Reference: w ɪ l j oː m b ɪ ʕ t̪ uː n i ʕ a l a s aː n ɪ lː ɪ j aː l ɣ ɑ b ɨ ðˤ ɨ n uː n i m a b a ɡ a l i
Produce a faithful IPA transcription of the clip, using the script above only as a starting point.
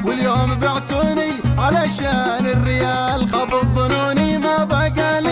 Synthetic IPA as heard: w ɪ l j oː m b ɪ ʕ t̪ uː n i ʕ a l a ʃ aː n ɪ rː ɪ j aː l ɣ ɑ b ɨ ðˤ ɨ n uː n i m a b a ɡ a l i